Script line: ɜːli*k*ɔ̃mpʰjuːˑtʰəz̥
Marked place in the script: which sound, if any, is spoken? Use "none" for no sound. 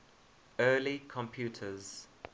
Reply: kʰ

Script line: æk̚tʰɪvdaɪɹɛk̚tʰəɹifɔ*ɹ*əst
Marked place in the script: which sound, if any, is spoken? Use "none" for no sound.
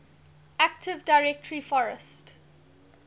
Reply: ɹ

